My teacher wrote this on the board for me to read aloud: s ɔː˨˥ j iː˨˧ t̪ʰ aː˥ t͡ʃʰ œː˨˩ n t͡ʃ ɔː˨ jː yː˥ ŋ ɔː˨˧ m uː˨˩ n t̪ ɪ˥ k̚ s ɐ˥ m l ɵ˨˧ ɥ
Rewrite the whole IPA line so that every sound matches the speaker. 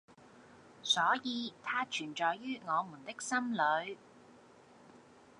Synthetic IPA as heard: s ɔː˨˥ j iː˨˧ t̪ʰ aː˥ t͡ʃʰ yː˨˩ n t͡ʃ ɔː˨ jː yː˥ ŋ ɔː˨˧ m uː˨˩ n t̪ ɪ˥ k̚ s ɐ˥ m l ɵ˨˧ ɥ